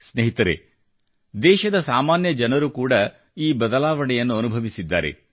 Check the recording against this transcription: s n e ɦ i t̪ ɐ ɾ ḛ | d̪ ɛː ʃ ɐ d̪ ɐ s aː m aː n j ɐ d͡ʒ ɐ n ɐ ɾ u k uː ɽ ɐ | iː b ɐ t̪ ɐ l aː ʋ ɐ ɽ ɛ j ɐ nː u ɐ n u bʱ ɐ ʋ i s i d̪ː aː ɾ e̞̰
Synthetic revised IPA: s n e ɦ i t̪ ɐ ɾ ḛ | d̪ ɛː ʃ ɐ d̪ ɐ s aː m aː n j ɐ d͡ʒ ɐ n ɐ ɾ u k uː ɽ ɐ | iː b ɐ d̪ ɐ l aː ʋ ɐ ɽ ɛ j ɐ nː u ɐ n u bʱ ɐ ʋ i s i d̪ː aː ɾ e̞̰